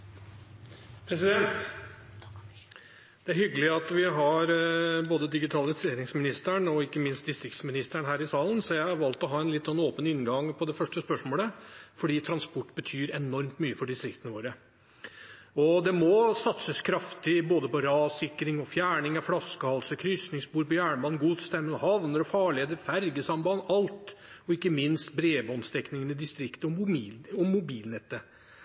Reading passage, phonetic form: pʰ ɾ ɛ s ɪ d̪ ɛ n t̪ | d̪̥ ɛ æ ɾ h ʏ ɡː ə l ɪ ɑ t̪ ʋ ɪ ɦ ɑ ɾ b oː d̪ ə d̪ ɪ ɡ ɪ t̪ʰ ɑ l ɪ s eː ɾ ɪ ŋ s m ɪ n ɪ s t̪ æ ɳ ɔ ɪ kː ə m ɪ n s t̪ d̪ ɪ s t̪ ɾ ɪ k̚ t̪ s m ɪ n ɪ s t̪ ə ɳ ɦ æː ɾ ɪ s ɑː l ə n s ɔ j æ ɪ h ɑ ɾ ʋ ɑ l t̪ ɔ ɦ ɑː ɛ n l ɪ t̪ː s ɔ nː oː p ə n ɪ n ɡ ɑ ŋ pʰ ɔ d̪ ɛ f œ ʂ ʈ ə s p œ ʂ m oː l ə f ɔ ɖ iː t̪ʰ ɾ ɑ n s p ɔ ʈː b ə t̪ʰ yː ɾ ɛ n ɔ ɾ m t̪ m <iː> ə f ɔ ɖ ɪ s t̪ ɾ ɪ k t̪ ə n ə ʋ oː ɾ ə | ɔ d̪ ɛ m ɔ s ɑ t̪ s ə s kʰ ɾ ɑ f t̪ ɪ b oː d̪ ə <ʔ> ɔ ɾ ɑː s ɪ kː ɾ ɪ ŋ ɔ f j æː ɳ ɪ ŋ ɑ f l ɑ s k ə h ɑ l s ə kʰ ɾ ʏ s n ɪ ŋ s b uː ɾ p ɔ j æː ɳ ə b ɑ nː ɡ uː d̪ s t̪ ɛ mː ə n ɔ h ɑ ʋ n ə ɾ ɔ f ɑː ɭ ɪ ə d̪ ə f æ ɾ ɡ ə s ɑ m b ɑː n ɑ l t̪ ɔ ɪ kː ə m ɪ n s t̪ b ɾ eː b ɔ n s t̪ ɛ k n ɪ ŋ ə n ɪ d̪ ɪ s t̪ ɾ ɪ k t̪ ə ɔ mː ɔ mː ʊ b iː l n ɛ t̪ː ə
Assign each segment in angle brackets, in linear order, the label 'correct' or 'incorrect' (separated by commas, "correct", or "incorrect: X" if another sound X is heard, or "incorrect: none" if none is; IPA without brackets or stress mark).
incorrect: yː, incorrect: p